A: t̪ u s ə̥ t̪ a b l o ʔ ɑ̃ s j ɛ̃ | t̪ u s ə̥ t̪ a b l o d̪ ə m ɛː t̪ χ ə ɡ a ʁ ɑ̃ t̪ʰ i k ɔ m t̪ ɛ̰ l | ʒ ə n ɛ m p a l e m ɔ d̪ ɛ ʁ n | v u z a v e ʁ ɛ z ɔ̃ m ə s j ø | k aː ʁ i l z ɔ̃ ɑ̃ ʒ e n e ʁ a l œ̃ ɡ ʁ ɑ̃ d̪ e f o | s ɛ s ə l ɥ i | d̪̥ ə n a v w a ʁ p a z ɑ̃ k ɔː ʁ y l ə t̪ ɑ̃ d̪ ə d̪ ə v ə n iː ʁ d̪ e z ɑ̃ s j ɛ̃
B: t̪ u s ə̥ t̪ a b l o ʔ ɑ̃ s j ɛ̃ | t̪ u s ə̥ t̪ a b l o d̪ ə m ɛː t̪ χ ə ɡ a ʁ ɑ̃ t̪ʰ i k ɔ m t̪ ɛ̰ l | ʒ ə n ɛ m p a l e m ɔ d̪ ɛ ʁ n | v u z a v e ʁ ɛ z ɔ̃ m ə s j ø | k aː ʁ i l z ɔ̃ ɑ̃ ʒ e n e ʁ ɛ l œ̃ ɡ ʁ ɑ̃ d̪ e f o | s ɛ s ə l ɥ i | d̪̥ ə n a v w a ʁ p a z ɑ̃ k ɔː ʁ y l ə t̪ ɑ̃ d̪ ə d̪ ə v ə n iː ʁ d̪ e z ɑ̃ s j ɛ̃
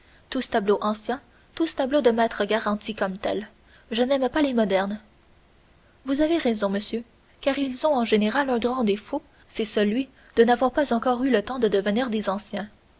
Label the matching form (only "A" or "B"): A